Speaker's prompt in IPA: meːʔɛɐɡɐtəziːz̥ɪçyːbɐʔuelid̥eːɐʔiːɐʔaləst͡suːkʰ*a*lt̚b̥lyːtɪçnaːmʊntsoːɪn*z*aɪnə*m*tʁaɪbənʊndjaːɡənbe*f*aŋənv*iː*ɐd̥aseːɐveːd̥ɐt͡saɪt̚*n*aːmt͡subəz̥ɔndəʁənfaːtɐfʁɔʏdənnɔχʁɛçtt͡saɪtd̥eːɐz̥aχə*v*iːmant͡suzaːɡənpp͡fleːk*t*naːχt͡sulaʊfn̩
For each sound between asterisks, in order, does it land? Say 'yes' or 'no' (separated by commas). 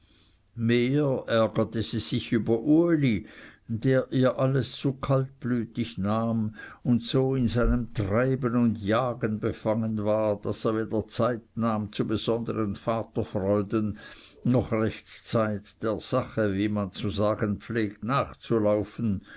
yes, yes, yes, yes, no, yes, yes, yes